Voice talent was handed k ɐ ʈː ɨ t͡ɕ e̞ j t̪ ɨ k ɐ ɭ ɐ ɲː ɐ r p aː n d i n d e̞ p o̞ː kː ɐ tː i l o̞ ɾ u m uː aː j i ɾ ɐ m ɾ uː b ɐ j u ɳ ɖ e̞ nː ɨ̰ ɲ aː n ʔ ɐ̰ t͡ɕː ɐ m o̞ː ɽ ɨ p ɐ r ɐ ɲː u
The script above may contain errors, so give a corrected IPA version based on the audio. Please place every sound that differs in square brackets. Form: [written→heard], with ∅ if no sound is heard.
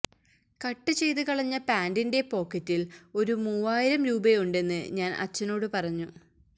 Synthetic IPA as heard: k ɐ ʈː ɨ t͡ɕ e̞ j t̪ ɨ k ɐ ɭ ɐ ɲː ɐ [r→∅] p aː n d i n d e̞ p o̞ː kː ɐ tː i l o̞ ɾ u m uː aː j i ɾ ɐ m ɾ uː b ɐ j u ɳ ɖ e̞ nː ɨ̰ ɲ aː n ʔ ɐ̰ t͡ɕː ɐ [m→n] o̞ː ɽ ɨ p ɐ r ɐ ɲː u